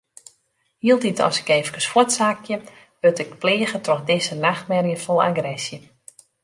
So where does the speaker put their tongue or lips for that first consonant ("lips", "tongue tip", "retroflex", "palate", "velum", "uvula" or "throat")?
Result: throat